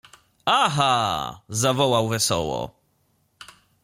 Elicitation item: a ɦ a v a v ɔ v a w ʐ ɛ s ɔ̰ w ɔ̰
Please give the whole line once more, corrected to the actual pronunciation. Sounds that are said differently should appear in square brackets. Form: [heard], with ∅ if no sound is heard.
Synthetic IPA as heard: a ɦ a [z] a v ɔ [w] a w [v] ɛ s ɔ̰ w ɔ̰